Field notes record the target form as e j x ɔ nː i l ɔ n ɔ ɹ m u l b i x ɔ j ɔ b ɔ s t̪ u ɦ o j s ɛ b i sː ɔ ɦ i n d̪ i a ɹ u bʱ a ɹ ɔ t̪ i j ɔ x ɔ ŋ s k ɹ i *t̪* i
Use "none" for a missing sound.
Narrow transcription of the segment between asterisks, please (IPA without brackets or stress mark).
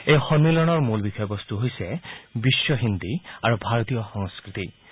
t̪